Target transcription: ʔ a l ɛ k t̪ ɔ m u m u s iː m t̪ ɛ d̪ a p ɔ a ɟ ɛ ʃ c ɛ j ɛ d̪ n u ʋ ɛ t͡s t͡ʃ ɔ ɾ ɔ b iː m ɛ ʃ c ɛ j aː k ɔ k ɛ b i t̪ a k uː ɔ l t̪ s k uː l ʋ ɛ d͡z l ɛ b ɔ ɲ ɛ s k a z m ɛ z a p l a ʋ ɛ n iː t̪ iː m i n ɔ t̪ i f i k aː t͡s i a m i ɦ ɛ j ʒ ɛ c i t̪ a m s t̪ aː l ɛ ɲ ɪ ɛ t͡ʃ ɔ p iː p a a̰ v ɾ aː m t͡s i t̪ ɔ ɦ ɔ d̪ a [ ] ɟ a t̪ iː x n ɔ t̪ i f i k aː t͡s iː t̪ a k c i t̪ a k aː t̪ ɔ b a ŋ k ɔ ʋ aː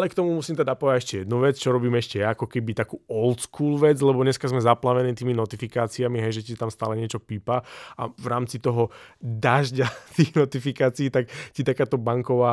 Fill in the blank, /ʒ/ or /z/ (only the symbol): ʒ